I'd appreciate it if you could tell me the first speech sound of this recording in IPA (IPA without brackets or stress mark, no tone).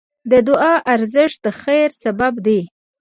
d̪